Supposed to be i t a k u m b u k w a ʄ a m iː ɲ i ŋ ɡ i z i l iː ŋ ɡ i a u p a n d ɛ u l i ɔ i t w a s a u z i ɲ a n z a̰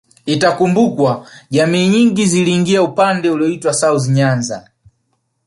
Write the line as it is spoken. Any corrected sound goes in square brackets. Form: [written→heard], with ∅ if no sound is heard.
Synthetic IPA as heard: i t a k u m b u k w a ʄ a m iː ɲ i ŋ ɡ i z i l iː ŋ ɡ i a u p a n d ɛ u l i ɔ i t w a s a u z i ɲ a n z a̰